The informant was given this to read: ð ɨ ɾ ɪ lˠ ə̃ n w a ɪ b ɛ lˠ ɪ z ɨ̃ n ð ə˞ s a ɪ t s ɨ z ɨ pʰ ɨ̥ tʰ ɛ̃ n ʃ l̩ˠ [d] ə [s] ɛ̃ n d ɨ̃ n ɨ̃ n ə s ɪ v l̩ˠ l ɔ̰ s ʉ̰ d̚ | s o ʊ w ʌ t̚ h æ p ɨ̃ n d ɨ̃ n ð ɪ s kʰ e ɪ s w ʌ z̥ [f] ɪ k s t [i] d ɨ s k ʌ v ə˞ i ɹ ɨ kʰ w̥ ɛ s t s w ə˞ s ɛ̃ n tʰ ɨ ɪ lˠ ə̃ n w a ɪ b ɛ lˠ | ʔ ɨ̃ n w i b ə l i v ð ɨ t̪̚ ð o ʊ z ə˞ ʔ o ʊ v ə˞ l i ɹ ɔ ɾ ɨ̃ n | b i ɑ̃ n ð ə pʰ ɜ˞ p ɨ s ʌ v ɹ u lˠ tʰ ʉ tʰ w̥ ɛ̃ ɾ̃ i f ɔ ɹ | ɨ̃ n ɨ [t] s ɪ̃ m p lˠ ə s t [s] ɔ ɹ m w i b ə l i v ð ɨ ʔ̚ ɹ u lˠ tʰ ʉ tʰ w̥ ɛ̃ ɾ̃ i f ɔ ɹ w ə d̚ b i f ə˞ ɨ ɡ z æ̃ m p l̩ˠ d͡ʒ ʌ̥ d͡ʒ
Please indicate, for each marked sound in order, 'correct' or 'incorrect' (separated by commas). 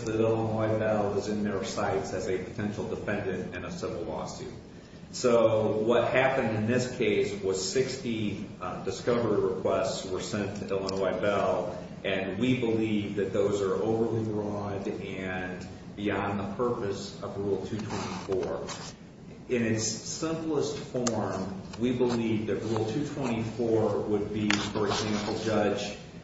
correct, incorrect, incorrect, correct, correct, incorrect